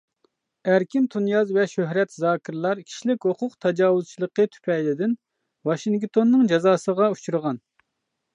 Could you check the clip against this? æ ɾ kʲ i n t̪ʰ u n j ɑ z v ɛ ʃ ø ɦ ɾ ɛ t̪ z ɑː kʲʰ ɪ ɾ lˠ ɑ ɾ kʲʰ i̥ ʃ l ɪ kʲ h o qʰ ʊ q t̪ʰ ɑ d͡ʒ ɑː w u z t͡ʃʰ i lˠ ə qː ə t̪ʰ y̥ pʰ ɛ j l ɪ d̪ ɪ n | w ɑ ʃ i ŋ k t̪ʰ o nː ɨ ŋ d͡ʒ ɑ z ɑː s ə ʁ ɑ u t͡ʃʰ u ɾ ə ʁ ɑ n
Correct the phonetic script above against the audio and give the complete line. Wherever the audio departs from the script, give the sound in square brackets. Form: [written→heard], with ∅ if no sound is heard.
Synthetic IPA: æ ɾ kʲ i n t̪ʰ u n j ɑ z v ɛ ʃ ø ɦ ɾ ɛ t̪ z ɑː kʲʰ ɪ ɾ lˠ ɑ ɾ kʲʰ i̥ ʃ l ɪ kʲ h o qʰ ʊ q t̪ʰ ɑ d͡ʒ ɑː w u z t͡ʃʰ i lˠ ə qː ə t̪ʰ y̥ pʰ ɛ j l ɪ d̪ ɪ n | w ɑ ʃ i ŋ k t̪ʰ o nː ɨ ŋ d͡ʒ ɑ z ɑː s ə ʁ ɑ u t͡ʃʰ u ɾ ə ʁ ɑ n